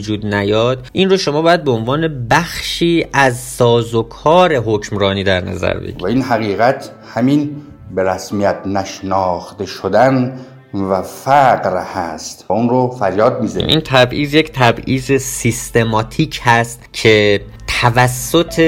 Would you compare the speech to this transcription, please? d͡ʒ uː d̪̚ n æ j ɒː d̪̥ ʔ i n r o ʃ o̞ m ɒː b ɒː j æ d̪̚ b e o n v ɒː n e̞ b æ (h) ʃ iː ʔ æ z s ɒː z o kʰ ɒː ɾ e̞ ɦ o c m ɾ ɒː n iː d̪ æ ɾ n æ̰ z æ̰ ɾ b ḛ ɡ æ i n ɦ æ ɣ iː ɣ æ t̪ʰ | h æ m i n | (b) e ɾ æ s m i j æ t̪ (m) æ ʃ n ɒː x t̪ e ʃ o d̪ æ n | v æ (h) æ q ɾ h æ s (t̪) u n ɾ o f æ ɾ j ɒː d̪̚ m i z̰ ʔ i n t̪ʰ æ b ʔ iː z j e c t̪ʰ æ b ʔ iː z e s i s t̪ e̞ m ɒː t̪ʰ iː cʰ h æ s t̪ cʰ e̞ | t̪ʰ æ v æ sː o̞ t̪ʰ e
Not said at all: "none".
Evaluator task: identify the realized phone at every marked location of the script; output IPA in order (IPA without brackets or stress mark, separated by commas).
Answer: x, b, n, f, t̪